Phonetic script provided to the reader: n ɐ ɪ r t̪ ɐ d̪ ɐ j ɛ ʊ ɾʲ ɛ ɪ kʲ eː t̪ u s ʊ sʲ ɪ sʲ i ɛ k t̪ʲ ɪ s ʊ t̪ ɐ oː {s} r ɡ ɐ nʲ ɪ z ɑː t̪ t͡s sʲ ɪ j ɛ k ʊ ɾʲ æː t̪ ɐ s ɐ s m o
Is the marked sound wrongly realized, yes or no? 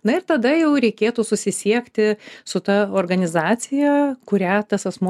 yes